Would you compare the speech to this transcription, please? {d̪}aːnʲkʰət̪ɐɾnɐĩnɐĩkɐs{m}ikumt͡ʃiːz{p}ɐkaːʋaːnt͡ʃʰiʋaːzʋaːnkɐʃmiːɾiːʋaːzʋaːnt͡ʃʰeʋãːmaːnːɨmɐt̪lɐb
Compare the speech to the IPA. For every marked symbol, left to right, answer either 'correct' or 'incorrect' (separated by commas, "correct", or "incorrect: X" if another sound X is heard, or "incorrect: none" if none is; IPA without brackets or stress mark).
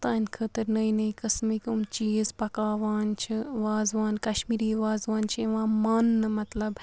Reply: incorrect: t̪, correct, correct